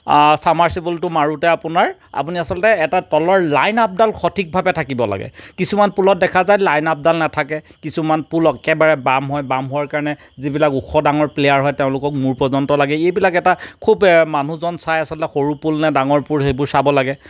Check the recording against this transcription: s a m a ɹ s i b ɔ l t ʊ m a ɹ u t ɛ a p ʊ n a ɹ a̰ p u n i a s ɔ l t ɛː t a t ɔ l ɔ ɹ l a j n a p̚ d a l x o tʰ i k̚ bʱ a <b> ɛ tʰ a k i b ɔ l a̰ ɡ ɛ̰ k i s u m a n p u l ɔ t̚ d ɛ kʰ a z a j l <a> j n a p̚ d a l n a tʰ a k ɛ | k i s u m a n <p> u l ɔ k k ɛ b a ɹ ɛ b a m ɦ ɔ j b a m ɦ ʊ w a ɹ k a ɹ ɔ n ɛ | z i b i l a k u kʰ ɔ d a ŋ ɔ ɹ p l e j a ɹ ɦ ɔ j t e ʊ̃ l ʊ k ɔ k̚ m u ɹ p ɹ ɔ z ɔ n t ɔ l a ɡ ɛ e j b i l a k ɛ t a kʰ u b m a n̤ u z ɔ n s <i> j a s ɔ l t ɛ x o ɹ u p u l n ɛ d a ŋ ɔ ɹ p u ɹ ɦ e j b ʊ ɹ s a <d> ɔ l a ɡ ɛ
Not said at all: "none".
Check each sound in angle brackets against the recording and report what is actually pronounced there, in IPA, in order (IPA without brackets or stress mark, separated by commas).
b, a, p, a, b